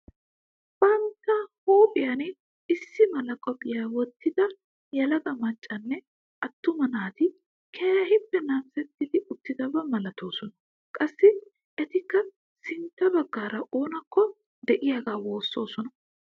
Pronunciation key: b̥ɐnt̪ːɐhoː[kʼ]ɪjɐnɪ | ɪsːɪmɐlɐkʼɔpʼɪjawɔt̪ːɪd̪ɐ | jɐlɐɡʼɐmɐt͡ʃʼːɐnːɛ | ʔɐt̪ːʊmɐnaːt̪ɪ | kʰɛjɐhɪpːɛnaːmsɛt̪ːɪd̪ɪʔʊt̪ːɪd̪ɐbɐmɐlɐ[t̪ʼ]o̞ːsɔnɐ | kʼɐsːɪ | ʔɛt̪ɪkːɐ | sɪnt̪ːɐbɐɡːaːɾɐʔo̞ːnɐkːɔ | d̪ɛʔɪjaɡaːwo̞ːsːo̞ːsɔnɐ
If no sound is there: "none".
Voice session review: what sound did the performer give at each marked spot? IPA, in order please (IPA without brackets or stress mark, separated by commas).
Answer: pʼ, t̪